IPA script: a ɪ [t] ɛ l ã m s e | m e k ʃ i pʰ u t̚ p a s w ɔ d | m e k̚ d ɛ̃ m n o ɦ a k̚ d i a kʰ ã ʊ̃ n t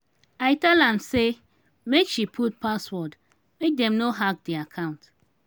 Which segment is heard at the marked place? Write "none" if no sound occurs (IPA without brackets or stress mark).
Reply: t